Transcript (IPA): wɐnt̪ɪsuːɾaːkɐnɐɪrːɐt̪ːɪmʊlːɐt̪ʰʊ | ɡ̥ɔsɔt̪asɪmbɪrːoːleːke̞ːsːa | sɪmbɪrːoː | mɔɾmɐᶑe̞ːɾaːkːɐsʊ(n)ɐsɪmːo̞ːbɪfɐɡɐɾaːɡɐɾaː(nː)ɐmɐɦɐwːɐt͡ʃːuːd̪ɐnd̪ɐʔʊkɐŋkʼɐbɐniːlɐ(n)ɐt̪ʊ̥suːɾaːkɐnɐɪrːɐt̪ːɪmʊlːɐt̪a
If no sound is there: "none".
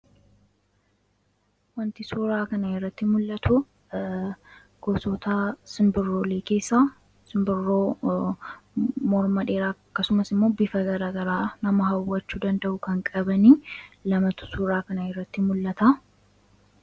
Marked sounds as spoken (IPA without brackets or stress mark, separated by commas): m, n, m